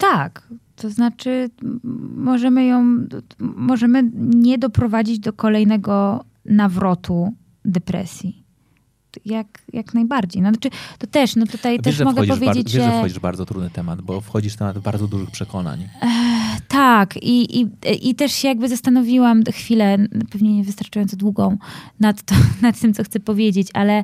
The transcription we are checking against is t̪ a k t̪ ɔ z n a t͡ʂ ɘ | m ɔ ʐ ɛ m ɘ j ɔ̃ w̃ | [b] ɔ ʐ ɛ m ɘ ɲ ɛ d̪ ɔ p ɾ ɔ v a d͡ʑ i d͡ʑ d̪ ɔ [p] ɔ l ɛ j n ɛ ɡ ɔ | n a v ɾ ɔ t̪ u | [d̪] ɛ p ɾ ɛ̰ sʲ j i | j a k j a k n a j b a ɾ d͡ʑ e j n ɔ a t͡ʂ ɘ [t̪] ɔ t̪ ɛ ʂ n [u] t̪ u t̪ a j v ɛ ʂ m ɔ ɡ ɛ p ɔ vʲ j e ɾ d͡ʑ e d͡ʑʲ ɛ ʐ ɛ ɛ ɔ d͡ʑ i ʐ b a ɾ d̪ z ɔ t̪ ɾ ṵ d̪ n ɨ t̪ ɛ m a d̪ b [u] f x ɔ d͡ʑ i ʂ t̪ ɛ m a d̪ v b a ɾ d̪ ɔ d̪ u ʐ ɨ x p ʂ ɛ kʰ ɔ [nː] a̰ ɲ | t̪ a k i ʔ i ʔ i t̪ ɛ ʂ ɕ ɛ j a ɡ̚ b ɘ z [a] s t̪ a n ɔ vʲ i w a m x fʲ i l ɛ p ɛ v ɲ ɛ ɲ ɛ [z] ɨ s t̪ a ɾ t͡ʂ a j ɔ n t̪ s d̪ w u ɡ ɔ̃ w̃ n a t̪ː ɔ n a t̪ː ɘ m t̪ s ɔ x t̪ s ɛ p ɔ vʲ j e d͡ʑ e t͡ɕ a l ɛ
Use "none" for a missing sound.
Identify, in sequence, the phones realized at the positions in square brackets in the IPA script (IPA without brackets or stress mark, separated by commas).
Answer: m, k, d̪, t̪, ɔ, ɔ, n, a, v